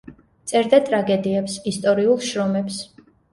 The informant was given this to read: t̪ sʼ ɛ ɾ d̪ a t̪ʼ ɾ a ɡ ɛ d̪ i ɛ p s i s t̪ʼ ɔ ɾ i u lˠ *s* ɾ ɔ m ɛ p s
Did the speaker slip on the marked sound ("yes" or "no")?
yes